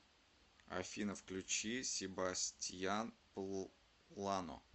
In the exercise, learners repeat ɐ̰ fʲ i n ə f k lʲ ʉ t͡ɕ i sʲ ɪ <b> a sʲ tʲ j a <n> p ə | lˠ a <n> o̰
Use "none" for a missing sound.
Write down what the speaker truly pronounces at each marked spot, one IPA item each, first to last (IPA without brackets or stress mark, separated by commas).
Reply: b, n, n